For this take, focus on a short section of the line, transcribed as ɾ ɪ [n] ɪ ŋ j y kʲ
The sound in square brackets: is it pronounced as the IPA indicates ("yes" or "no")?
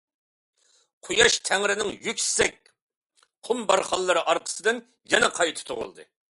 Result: yes